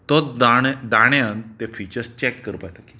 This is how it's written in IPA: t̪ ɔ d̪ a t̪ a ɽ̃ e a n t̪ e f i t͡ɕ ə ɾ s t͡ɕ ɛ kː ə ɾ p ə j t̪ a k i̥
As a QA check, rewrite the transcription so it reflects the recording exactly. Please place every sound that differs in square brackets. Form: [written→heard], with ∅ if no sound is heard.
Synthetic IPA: t̪ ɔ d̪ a [t̪→d̪] a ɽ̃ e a n t̪ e f i t͡ɕ ə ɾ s t͡ɕ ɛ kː ə ɾ p [ə→a] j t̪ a k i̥